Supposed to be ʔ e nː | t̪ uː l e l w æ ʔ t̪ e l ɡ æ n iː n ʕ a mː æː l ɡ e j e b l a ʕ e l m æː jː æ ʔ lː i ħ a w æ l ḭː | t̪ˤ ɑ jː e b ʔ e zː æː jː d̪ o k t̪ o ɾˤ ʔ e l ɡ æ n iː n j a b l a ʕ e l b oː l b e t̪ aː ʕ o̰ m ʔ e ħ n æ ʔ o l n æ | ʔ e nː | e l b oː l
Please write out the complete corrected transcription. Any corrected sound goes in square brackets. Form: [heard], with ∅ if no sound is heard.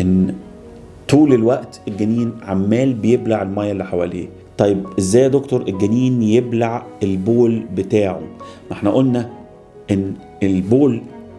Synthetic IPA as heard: ʔ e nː | t̪ uː l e l w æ ʔ t̪ e l ɡ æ n iː n ʕ a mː æː l [b] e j e b l a ʕ e l m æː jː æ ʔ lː i ħ a w æ l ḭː | t̪ˤ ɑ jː e b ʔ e zː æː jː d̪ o k t̪ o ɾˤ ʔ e l ɡ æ n iː n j [e] b l a ʕ e l b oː l b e t̪ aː ʕ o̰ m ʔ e ħ n æ ʔ o l n æ | ʔ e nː | e l b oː l